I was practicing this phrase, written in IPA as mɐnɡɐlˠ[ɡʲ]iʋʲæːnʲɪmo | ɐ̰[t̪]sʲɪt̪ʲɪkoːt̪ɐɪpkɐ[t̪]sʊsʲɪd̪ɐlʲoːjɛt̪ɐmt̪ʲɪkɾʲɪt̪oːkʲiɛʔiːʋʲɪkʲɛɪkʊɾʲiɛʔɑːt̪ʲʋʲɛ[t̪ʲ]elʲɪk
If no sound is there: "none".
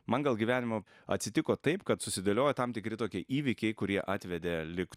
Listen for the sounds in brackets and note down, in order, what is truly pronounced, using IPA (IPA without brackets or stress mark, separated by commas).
ɡʲ, t̪, t̪, d̪ʲ